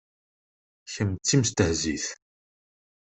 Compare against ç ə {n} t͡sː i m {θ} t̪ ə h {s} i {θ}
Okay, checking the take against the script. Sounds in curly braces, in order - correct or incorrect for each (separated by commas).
incorrect, incorrect, incorrect, correct